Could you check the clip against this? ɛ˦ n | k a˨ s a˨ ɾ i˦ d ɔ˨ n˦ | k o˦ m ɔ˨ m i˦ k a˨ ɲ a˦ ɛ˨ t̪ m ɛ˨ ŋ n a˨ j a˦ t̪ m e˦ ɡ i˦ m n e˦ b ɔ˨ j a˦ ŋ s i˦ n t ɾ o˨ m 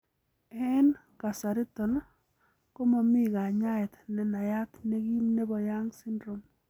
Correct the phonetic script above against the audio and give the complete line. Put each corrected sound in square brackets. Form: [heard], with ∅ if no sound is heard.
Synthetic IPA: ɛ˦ n | k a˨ s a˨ ɾ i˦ [t] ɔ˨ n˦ | k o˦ m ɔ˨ m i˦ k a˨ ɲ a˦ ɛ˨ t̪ [n] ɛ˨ [∅] n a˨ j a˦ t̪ [n] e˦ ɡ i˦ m n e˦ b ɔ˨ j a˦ ŋ s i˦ n [d] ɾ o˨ m